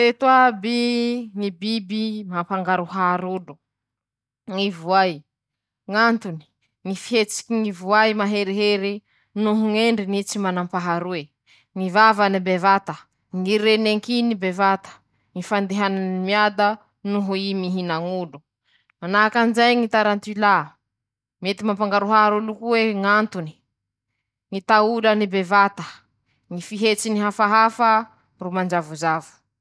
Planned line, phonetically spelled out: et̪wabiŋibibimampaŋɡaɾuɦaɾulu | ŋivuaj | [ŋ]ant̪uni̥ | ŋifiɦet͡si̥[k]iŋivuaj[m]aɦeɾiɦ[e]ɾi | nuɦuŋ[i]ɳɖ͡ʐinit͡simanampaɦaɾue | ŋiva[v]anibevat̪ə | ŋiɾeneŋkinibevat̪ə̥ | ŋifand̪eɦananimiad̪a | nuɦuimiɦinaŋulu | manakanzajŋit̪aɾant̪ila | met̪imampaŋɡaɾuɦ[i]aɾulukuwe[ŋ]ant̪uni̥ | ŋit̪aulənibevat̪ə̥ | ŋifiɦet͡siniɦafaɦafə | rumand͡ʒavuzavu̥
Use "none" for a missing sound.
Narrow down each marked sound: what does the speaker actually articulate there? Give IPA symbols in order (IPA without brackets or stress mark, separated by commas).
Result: ŋ, k, m, e, e, v, a, ŋ